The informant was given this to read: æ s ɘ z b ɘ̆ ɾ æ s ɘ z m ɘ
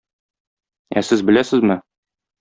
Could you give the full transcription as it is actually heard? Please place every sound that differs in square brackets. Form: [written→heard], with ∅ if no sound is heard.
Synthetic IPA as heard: æ s ɘ z b ɘ̆ [ɾ→l] æ s ɘ z m ɘ